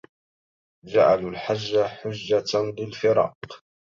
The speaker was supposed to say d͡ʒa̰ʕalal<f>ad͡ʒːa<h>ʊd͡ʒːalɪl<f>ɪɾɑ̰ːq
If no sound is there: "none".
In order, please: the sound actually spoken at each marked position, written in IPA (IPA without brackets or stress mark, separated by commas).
ħ, ħ, f